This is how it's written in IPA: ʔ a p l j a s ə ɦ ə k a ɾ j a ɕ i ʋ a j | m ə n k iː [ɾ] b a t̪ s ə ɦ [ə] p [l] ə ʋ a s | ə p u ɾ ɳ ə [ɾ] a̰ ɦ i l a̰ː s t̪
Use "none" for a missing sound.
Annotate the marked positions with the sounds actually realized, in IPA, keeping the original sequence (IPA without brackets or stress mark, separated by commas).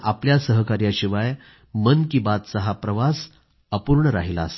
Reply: none, a, ɾ, ɾ